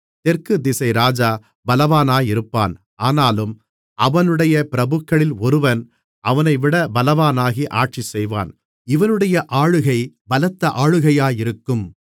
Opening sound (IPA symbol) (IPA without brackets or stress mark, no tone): t̪